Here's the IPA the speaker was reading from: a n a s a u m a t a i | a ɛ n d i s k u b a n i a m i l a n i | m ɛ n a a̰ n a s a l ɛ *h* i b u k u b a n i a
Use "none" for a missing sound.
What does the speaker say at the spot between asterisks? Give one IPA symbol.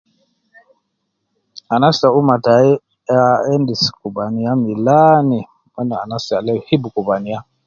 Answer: h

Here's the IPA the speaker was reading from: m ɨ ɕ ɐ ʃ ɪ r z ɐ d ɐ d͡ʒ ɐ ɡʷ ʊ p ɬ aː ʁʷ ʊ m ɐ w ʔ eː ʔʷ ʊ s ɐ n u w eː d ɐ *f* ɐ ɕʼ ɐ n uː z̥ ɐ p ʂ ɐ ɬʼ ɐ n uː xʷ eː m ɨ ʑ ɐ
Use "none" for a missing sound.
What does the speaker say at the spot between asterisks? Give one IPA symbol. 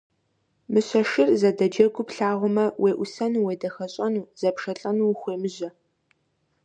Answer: x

